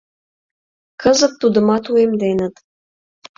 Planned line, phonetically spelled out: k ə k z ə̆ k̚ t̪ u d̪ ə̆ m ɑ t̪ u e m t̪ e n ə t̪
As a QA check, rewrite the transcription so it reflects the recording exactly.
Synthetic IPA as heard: k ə z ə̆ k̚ t̪ u d̪ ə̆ m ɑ t̪ u e m d̪ e n ə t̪